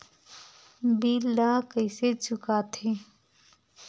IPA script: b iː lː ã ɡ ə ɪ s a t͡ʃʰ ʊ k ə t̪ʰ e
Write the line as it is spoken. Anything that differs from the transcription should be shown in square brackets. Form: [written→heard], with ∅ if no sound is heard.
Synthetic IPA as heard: b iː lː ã [ɡ→k] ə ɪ s [a→e] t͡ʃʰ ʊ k [ə→a] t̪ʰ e